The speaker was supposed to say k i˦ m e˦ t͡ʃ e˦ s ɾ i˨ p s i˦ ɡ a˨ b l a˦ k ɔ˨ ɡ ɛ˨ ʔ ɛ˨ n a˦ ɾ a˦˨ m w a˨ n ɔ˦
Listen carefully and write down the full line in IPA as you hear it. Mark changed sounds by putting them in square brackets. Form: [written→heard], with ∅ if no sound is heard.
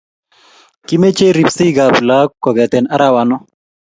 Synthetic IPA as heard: k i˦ m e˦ t͡ʃ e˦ [s→∅] ɾ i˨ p s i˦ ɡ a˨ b l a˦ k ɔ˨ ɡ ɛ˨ [ʔ→t] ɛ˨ n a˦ ɾ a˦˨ [m→∅] w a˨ n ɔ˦